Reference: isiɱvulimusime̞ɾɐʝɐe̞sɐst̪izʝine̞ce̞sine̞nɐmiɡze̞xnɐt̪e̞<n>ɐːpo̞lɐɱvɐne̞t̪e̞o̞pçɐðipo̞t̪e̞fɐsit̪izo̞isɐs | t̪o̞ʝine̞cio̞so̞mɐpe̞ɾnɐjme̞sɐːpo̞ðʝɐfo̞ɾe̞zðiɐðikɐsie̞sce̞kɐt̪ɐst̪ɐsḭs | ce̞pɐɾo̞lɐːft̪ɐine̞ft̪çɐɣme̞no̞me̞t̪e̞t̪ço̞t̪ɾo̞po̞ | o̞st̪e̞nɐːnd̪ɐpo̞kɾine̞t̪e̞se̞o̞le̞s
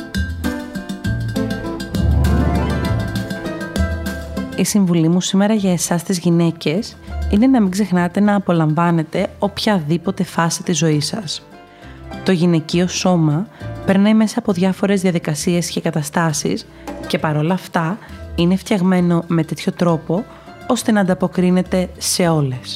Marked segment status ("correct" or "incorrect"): correct